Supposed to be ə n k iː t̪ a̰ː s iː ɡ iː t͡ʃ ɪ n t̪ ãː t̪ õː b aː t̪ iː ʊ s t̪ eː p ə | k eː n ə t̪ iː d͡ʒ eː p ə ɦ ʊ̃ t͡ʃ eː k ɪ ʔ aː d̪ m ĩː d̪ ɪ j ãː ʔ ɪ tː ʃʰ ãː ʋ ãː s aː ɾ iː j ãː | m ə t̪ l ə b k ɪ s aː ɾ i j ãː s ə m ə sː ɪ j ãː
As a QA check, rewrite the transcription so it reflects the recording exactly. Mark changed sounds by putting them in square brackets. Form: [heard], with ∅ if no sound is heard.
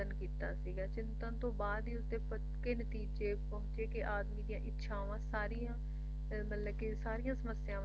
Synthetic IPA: ə n k iː t̪ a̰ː s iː ɡ [aː] t͡ʃ ɪ n t̪ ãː t̪ õː b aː [d̪] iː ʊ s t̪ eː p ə | k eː n ə t̪ iː d͡ʒ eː p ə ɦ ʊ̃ t͡ʃ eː k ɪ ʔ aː d̪ m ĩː d̪ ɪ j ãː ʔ ɪ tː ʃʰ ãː ʋ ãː s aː ɾ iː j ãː | m ə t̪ l ə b k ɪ s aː ɾ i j ãː s ə m ə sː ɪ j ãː

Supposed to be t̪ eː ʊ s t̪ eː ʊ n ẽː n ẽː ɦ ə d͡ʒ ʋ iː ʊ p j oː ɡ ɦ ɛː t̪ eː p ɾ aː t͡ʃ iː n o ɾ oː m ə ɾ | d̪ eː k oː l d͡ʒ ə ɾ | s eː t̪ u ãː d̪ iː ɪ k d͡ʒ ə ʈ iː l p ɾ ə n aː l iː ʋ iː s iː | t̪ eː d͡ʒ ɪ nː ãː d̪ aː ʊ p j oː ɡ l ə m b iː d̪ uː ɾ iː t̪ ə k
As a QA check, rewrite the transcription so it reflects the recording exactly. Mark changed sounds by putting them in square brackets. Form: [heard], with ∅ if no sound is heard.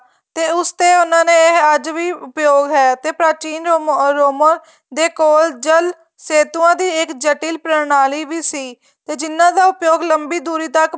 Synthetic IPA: t̪ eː ʊ s t̪ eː ʊ n [ãː] n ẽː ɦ ə d͡ʒ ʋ iː ʊ p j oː ɡ ɦ ɛː t̪ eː p ɾ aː t͡ʃ iː n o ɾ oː m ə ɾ | d̪ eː k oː l d͡ʒ ə [l] | s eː t̪ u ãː d̪ iː ɪ k d͡ʒ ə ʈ iː l p ɾ ə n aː l iː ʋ iː s iː | t̪ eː d͡ʒ ɪ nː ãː d̪ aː ʊ p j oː ɡ l ə m b iː d̪ uː ɾ iː t̪ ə k

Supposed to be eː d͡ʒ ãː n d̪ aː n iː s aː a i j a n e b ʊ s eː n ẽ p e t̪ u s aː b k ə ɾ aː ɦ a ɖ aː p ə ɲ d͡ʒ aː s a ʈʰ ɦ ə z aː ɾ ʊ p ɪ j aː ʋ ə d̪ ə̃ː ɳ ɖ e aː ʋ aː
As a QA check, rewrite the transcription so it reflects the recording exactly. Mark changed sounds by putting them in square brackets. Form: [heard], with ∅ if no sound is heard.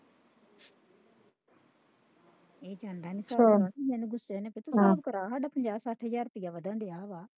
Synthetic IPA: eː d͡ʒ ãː n d̪ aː n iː s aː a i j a n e [ɡ] ʊ s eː n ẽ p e t̪ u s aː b k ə ɾ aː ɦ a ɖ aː p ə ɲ d͡ʒ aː s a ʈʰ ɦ ə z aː ɾ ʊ p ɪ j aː ʋ ə d̪ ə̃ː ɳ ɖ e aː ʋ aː

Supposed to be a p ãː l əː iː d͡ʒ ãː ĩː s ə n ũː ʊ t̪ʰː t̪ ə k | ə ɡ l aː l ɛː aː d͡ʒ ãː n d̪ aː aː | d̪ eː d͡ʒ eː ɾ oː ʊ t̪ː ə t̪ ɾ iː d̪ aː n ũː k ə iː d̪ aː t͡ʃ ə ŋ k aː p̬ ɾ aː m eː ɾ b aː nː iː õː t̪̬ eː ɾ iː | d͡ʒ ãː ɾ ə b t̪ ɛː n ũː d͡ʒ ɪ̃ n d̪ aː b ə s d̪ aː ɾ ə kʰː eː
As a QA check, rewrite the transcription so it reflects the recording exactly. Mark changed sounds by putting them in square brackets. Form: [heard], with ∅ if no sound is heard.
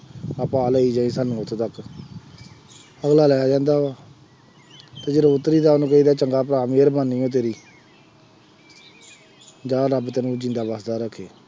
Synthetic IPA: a p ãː l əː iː d͡ʒ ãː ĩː s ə n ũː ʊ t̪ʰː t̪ ə k | ə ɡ l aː l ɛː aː d͡ʒ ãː n d̪ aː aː | [t̪] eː d͡ʒ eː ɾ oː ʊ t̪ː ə [∅] ɾ iː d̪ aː n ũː k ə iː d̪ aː t͡ʃ ə ŋ [ɡ] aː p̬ ɾ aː m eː ɾ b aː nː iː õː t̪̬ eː ɾ iː | d͡ʒ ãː ɾ ə b t̪ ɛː n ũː d͡ʒ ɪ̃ n d̪ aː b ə s d̪ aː ɾ ə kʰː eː

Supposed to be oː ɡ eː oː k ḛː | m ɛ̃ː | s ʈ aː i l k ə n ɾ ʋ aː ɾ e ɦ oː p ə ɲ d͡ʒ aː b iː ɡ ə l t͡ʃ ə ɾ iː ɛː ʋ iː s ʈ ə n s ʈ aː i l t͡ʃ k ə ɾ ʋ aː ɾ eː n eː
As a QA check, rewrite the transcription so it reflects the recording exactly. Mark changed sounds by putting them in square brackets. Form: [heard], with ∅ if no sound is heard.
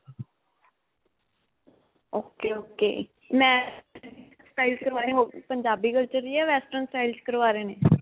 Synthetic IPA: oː [k] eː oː k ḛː | m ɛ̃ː | s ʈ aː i l k ə [∅] ɾ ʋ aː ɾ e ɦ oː p ə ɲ d͡ʒ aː b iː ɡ ə l t͡ʃ ə ɾ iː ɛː ʋ [ɛː] s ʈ ə n s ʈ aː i l t͡ʃ k ə ɾ ʋ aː ɾ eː n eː

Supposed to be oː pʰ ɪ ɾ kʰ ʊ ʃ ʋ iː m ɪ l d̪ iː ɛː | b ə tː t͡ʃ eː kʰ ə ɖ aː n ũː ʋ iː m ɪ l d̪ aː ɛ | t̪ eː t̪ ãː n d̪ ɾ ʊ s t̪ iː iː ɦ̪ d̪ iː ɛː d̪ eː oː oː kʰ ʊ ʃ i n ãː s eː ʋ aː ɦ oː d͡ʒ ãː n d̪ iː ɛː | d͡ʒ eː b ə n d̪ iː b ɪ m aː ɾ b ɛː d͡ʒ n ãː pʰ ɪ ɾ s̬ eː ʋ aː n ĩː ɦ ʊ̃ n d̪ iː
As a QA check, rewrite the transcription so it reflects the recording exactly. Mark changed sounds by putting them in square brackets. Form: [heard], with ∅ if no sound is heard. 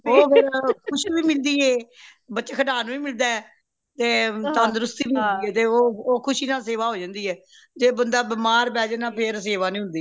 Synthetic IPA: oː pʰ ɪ ɾ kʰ ʊ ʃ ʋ iː m ɪ l d̪ iː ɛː | b ə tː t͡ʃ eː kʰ ə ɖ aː n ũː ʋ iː m ɪ l d̪ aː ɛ | t̪ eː t̪ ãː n d̪ ɾ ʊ s t̪ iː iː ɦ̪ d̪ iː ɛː [t̪] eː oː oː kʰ ʊ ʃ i n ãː s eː ʋ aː ɦ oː d͡ʒ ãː n d̪ iː ɛː | d͡ʒ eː b ə n d̪ [aː] b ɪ m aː ɾ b ɛː d͡ʒ n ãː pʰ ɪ ɾ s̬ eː ʋ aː n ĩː ɦ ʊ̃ n d̪ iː

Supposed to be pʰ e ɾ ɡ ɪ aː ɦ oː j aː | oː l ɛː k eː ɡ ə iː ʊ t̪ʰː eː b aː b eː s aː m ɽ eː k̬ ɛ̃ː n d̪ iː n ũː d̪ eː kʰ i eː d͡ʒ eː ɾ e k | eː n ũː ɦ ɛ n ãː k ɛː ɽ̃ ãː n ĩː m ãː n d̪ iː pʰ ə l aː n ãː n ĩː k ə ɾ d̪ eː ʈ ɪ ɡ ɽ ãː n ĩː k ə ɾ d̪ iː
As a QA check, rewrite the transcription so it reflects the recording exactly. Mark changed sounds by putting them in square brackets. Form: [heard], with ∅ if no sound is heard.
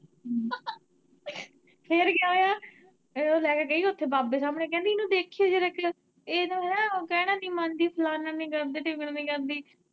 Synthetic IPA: pʰ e ɾ ɡ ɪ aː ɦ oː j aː | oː l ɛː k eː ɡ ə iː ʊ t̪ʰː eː b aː b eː s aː m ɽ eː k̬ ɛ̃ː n d̪ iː n ũː d̪ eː kʰ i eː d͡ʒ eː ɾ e k | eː n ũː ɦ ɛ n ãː k ɛː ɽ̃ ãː n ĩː m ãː n d̪ iː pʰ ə l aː n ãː n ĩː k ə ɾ d̪ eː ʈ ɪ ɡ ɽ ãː n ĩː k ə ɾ d̪ iː

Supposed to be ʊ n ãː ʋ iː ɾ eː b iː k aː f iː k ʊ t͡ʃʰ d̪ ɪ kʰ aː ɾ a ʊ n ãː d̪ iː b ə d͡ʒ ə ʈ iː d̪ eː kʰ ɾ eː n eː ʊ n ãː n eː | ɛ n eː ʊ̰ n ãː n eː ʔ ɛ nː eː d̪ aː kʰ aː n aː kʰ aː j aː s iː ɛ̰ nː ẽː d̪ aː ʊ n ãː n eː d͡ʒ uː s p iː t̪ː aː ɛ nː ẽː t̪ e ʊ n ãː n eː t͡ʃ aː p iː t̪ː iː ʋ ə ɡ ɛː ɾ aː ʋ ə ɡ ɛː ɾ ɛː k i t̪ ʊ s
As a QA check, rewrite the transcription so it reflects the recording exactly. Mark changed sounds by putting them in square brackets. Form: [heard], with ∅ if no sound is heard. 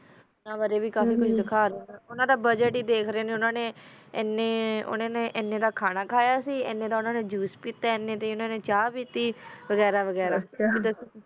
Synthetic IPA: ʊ n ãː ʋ [aː] ɾ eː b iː k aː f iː k ʊ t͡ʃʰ d̪ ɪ kʰ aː ɾ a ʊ n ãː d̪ [aː] b ə d͡ʒ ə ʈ iː d̪ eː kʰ ɾ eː n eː ʊ n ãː n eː | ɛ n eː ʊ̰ n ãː n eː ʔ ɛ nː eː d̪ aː kʰ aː n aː kʰ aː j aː s iː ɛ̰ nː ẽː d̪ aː ʊ n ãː n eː d͡ʒ uː s p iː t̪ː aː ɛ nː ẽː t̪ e ʊ n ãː n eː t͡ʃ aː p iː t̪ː iː ʋ ə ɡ ɛː ɾ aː ʋ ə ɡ ɛː ɾ [aː] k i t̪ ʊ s

